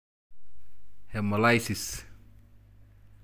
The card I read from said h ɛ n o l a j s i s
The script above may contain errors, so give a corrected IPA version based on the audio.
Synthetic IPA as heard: h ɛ m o l a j s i s